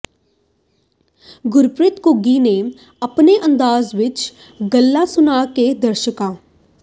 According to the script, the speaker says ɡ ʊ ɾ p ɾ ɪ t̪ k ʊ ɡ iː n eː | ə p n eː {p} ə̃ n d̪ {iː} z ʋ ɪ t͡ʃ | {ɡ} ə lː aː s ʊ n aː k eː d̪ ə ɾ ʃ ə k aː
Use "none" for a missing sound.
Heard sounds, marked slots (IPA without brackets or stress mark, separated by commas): ʔ, aː, ɡ